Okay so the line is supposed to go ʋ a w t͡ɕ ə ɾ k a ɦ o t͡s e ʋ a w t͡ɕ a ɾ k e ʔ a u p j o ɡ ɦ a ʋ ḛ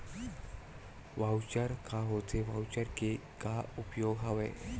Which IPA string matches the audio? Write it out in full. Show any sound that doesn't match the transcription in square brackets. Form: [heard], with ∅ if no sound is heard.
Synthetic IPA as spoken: ʋ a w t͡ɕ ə ɾ k a ɦ o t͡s e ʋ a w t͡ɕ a ɾ k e [k] a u p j o ɡ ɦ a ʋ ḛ